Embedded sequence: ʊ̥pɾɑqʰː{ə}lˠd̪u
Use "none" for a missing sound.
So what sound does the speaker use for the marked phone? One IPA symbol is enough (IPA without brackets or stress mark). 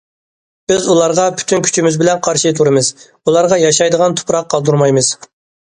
ɑ